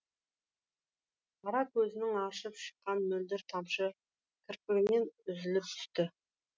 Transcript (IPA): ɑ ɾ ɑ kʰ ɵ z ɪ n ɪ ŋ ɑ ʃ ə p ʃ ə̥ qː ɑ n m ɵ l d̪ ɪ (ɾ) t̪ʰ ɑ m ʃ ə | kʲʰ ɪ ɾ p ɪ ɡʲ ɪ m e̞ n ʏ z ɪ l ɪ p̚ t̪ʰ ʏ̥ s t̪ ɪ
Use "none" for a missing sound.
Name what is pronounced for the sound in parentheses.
ɾ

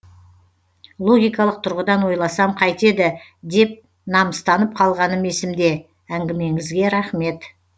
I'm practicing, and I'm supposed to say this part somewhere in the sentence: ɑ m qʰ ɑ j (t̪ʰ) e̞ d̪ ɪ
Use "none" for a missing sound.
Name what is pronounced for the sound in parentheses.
t̪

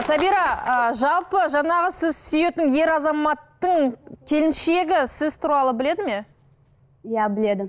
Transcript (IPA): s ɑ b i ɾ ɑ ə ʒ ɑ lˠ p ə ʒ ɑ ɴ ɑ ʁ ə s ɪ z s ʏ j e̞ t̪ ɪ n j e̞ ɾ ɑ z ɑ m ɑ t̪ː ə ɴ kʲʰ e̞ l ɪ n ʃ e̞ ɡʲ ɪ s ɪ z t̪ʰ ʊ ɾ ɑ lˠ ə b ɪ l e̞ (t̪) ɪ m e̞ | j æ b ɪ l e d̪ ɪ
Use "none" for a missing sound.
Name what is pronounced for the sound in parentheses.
d̪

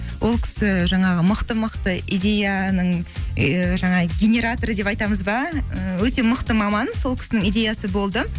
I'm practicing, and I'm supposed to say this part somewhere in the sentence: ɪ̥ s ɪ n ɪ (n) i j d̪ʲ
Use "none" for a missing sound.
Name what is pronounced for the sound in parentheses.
ŋ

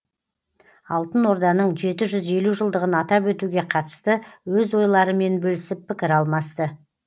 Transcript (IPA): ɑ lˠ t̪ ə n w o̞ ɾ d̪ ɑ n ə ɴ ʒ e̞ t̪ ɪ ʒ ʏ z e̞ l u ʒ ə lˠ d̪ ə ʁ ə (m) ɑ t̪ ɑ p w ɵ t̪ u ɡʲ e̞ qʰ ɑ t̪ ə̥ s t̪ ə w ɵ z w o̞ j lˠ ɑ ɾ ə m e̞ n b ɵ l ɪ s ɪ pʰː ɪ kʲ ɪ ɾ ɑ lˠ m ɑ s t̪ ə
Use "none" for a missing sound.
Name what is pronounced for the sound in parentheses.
n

